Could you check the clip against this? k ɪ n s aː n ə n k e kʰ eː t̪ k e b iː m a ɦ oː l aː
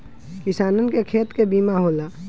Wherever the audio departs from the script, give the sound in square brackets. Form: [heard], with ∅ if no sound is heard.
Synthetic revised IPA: k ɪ [∅] s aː n ə n k e kʰ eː t̪ k e b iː m a ɦ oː l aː